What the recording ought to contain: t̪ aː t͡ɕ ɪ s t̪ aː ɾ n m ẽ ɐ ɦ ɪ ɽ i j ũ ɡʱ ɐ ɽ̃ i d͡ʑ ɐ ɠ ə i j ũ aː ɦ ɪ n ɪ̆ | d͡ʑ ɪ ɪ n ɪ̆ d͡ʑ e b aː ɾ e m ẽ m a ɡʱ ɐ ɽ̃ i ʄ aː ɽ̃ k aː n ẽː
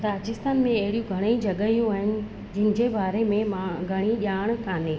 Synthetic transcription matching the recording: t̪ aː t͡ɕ ɪ s t̪ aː n m ẽ ɐ ɦ ɪ ɽ i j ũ ɡʱ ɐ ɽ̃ i d͡ʑ ɐ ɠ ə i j ũ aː ɦ ɪ n ɪ̆ | d͡ʑ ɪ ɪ n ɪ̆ d͡ʑ e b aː ɾ e m ẽ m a ɡʱ ɐ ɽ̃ i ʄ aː ɽ̃ k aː n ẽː